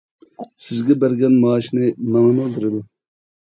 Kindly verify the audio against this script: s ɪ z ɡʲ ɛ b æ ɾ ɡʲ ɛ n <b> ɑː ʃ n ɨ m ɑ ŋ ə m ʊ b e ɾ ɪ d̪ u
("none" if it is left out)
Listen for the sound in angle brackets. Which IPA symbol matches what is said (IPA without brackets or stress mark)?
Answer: m